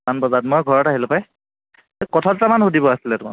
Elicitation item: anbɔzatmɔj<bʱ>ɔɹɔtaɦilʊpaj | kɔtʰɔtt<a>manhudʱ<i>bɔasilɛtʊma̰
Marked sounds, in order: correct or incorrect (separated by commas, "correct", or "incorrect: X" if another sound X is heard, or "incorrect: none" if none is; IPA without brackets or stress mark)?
incorrect: ɡʱ, correct, correct